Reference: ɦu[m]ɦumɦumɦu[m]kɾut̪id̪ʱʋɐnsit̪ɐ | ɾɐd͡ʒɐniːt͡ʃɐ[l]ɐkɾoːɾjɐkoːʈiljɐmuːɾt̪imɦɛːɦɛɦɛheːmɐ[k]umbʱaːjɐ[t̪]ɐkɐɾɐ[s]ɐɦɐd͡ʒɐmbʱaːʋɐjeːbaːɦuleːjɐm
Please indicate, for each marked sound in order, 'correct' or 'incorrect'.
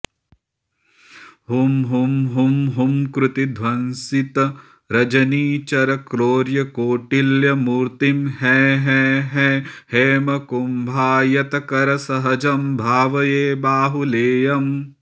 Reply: correct, correct, incorrect, correct, correct, correct

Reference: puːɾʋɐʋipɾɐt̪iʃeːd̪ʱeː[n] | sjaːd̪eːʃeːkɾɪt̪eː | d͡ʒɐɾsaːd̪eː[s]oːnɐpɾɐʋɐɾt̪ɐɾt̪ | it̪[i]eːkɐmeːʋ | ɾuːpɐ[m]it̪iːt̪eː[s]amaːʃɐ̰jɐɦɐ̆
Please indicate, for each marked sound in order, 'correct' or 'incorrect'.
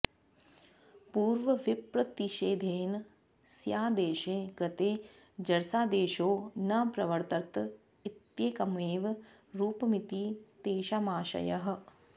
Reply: correct, incorrect, incorrect, correct, incorrect

